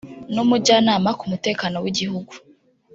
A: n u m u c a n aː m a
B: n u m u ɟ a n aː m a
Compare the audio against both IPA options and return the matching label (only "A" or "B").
B